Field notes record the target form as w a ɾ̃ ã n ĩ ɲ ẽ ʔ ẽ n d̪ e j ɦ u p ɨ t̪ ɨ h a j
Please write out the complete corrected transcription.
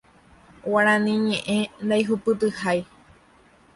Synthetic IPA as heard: w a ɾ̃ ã n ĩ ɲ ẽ ʔ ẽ n d̪ a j ɦ u p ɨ t̪ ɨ h a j